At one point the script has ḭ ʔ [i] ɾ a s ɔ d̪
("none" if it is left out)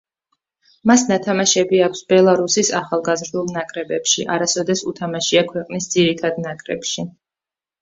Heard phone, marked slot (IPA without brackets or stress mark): a